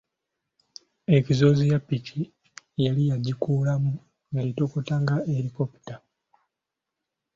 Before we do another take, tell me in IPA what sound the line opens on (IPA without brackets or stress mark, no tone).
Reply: e̞